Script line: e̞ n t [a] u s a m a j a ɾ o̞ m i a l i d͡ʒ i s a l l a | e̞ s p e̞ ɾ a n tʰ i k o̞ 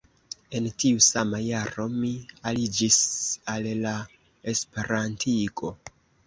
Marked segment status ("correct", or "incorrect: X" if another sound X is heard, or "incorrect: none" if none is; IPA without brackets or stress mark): incorrect: i